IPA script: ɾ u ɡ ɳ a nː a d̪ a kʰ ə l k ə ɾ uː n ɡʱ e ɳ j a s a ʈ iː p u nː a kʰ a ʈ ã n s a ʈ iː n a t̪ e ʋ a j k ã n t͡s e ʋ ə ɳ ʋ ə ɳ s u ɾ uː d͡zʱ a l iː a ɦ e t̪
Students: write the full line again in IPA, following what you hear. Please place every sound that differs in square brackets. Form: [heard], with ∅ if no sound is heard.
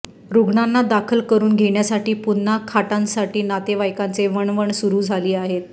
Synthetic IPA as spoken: ɾ u ɡ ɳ a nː a d̪ a kʰ ə l k ə ɾ uː n ɡʱ e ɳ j a s a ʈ iː p u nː a kʰ a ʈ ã n s a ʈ iː n a t̪ e ʋ a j k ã n t͡s e ʋ ə ɳ ʋ ə ɳ s u ɾ uː d͡zʱ a l iː a ɦ e t̪